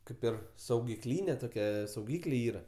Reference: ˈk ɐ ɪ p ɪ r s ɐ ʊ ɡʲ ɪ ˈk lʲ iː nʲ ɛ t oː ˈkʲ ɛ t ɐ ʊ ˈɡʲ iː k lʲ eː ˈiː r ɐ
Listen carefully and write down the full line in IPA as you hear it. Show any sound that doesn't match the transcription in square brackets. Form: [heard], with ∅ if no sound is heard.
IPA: ˈk ɐ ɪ p ɪ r s ɐ ʊ ɡʲ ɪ ˈk lʲ iː nʲ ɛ t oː ˈkʲ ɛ [s] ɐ ʊ ˈɡʲ iː k lʲ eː ˈiː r ɐ